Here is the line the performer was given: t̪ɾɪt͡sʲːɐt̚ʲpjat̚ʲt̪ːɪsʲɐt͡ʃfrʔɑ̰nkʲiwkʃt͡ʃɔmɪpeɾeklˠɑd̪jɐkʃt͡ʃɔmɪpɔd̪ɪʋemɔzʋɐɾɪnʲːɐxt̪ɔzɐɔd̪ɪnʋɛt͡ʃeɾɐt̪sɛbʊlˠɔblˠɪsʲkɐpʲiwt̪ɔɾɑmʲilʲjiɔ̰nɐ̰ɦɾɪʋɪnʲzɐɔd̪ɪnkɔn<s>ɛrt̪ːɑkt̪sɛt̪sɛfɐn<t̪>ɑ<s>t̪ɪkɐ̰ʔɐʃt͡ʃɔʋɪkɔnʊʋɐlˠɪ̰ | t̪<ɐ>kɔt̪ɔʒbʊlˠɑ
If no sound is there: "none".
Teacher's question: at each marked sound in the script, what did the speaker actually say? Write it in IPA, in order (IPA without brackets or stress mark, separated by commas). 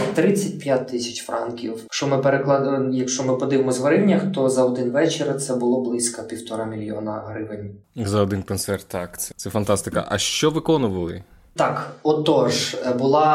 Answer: s, t̪, s, ɑ